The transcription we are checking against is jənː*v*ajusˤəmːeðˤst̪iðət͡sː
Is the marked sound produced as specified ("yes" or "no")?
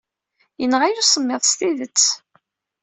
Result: no